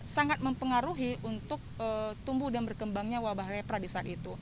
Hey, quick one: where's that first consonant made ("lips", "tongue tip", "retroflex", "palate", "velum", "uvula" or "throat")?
tongue tip